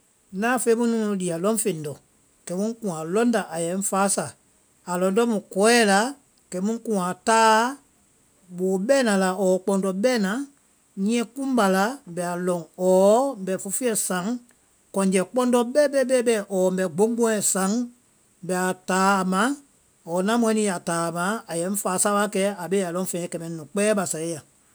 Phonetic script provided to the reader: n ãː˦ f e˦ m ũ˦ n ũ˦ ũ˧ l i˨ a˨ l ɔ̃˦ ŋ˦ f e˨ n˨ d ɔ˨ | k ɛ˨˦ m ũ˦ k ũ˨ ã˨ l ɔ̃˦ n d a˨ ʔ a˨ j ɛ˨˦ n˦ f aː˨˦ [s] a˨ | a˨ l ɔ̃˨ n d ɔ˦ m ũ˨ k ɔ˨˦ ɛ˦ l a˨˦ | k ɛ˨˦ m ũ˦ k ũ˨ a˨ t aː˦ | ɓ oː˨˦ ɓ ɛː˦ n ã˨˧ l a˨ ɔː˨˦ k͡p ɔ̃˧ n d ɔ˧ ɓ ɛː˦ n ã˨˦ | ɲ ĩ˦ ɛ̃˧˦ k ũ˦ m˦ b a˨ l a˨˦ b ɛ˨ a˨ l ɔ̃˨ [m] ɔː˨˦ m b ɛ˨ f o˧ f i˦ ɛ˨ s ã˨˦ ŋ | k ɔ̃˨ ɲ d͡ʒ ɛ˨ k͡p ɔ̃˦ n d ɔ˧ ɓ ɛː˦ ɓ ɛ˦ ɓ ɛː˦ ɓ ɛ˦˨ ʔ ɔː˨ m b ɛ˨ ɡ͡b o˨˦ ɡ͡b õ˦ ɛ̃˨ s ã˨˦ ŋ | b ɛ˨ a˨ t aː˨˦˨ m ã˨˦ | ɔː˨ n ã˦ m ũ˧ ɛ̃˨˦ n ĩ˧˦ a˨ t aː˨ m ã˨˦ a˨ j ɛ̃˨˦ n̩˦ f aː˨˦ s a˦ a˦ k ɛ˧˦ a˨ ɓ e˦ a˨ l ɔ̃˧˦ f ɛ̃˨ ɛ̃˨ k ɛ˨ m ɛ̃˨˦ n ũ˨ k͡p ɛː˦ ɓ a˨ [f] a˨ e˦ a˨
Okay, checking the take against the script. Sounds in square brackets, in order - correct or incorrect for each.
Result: correct, incorrect, incorrect

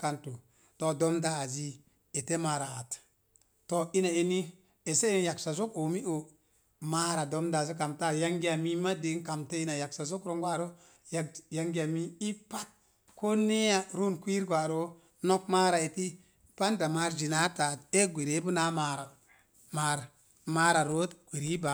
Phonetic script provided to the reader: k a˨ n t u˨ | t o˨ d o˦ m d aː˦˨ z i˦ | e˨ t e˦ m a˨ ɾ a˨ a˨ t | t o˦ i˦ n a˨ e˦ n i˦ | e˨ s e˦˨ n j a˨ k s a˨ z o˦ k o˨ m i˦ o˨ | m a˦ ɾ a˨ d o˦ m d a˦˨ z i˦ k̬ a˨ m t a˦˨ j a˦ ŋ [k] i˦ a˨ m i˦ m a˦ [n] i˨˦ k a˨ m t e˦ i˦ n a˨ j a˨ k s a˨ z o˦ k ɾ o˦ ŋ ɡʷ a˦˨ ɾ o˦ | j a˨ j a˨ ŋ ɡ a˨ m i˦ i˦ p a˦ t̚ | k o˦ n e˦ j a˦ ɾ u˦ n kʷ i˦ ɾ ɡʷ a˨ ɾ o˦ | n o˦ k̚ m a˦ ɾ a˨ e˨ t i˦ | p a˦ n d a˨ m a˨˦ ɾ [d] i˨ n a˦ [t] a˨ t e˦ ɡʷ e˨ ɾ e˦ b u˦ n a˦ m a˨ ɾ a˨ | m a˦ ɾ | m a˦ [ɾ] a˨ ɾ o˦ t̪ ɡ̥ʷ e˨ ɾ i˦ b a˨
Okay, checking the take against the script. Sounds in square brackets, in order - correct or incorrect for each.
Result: incorrect, incorrect, incorrect, correct, correct

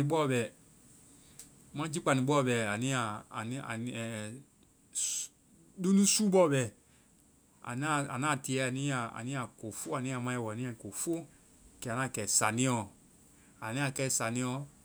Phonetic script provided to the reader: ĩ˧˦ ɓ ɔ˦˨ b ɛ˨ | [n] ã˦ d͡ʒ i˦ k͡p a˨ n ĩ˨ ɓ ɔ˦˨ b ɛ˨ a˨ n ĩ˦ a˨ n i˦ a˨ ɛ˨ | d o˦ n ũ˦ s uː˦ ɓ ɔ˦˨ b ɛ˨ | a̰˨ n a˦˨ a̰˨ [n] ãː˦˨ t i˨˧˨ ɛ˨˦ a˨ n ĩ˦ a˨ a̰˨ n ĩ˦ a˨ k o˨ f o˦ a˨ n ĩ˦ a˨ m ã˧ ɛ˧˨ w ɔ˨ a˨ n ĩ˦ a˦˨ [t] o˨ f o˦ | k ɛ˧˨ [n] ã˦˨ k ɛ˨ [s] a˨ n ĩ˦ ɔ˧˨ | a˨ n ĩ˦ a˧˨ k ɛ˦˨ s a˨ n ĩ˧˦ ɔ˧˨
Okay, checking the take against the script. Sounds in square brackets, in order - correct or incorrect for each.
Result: incorrect, correct, incorrect, correct, correct

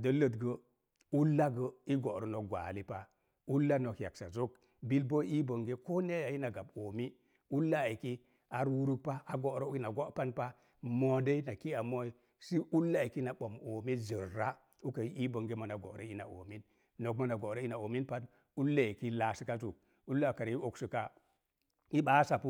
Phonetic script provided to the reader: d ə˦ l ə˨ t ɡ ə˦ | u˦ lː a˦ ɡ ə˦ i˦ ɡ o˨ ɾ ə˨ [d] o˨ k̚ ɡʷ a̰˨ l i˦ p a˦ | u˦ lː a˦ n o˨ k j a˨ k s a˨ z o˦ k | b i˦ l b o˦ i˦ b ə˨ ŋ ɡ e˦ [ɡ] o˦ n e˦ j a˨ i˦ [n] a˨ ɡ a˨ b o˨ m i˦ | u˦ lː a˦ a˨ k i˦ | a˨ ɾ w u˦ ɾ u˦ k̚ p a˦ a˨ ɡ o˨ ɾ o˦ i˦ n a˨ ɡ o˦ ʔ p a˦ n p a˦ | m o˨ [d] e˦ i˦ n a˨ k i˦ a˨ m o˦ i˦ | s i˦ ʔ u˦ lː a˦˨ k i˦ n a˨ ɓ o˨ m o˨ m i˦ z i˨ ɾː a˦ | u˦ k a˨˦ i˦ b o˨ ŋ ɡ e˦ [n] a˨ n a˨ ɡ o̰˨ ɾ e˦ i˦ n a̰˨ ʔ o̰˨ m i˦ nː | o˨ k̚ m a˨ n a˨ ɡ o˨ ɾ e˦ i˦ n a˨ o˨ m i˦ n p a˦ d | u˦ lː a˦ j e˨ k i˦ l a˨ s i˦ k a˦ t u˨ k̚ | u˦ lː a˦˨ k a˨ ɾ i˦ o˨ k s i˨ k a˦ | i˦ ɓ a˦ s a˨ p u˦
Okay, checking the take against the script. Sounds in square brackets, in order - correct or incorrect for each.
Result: incorrect, incorrect, correct, correct, incorrect

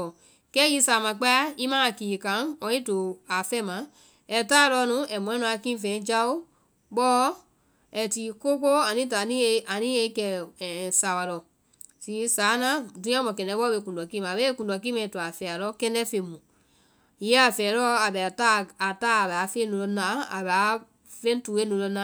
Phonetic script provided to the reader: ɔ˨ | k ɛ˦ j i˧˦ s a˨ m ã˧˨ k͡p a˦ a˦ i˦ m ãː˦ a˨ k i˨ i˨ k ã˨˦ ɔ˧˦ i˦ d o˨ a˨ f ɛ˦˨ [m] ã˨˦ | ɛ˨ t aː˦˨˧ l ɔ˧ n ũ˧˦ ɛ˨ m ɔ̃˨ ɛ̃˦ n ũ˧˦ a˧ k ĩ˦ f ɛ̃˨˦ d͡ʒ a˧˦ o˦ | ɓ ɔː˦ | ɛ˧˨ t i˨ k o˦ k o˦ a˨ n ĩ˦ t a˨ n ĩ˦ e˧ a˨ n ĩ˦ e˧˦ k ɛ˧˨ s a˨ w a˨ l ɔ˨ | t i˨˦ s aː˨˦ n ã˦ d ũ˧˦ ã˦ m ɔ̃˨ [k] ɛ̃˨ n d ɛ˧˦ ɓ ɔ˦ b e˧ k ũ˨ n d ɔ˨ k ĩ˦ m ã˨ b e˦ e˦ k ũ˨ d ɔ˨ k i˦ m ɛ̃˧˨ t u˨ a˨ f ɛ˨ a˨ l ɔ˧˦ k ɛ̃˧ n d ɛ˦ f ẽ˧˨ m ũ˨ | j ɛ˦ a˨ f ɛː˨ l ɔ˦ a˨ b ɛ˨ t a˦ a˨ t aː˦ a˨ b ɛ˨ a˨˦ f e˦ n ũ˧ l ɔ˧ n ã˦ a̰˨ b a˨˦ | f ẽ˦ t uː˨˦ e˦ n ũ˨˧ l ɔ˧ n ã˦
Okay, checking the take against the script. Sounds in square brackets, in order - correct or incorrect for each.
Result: correct, correct

